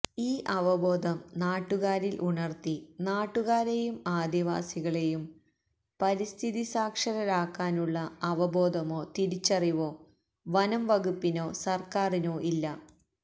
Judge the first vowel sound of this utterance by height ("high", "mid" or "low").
high